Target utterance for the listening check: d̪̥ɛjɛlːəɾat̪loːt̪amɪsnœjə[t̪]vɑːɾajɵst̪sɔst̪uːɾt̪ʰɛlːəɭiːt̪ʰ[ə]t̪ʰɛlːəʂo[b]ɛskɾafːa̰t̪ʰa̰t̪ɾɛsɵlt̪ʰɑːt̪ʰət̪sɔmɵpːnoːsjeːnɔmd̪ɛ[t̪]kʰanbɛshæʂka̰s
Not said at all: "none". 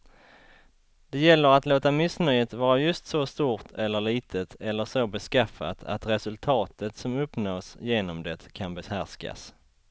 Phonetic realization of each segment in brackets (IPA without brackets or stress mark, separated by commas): t̪, ə, b, t̪